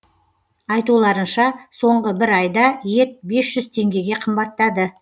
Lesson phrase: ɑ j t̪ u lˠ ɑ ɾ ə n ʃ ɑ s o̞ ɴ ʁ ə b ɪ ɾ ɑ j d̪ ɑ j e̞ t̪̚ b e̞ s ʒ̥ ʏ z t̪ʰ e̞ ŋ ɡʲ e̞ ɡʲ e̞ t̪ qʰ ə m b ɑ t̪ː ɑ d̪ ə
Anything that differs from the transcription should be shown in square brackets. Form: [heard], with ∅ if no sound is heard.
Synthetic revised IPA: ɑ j t̪ u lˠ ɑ ɾ ə n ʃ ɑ s o̞ ɴ ʁ ə b ɪ ɾ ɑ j d̪ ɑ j e̞ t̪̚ b e̞ s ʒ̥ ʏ z t̪ʰ e̞ ŋ ɡʲ e̞ ɡʲ e̞ [∅] qʰ ə m b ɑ t̪ː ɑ d̪ ə